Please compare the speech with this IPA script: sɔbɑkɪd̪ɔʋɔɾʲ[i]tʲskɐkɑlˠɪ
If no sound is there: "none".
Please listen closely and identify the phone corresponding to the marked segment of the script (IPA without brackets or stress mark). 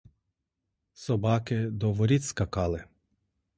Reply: i